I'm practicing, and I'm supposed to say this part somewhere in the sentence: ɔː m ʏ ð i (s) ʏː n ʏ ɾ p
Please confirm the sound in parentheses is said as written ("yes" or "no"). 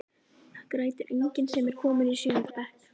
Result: yes